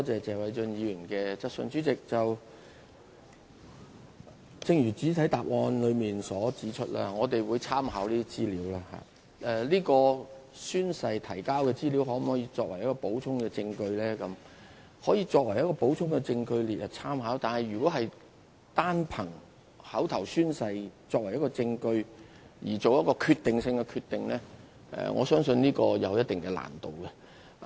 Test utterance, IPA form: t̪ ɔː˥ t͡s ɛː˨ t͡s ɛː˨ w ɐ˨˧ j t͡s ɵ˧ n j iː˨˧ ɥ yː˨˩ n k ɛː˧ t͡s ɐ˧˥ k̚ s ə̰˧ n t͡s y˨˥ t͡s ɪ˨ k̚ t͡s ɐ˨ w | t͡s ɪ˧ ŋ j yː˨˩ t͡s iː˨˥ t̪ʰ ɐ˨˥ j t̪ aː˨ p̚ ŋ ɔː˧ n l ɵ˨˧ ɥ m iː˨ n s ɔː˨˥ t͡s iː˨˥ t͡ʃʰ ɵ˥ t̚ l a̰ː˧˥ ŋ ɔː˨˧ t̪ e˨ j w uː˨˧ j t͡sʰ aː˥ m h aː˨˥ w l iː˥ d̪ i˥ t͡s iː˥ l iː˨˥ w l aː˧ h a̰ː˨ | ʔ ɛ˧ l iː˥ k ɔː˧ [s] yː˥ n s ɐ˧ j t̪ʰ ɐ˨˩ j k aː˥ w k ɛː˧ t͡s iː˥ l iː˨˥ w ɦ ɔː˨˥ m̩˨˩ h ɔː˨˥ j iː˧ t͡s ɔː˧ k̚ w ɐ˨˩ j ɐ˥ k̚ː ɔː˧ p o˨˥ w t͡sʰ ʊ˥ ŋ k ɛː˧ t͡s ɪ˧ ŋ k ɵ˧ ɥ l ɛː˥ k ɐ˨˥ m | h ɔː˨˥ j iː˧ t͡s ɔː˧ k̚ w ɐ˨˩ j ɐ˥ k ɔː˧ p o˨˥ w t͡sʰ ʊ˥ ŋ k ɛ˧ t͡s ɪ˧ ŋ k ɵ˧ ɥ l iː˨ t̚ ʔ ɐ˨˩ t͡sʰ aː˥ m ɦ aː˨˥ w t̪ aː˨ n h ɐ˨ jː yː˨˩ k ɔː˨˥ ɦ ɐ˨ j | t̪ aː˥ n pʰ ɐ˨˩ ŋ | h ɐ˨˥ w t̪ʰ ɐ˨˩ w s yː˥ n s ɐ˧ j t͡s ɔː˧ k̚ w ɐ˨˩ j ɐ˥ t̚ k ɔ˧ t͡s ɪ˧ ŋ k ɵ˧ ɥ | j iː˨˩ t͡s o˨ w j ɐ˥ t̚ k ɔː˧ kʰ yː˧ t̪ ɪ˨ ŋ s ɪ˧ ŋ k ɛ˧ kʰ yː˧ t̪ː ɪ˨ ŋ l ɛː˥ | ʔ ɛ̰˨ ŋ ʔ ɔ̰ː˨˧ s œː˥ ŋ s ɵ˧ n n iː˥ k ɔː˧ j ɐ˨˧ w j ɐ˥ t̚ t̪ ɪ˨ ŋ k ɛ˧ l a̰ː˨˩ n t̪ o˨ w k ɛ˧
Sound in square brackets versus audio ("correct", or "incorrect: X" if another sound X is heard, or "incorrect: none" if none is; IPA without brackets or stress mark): correct